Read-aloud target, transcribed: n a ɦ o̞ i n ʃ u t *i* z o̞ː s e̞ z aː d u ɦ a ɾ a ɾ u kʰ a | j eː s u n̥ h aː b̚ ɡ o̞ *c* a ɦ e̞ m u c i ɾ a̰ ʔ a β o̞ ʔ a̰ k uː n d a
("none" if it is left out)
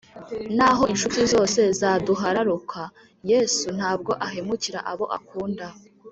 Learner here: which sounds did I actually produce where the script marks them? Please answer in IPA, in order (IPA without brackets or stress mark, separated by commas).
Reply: i, ʔ